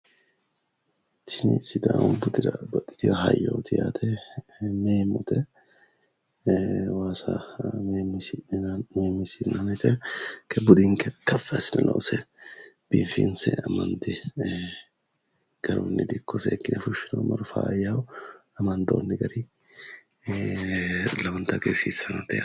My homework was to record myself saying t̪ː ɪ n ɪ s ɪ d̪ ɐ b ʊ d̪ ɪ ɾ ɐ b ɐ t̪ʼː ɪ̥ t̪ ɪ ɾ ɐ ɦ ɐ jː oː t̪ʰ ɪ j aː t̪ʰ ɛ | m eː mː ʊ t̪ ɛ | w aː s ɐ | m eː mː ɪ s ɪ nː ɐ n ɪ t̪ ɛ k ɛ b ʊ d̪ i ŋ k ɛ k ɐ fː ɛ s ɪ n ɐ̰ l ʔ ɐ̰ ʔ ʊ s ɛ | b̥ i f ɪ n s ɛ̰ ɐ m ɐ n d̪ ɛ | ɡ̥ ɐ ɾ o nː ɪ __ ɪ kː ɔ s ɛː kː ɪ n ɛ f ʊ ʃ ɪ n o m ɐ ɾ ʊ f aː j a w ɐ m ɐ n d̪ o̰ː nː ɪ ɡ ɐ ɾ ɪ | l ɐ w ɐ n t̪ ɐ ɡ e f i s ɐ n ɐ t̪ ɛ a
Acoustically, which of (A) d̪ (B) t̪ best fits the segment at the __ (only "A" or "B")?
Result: A